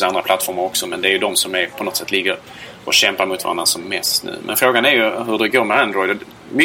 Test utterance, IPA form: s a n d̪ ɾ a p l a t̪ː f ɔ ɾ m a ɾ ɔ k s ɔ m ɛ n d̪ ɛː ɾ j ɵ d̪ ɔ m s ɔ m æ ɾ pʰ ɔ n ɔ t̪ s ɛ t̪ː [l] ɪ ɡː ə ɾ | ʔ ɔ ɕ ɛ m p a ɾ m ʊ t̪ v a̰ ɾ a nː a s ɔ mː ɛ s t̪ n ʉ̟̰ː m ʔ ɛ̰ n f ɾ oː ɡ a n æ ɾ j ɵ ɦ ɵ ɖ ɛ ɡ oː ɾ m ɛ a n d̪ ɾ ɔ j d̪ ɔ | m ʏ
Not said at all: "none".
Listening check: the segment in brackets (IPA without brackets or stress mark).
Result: l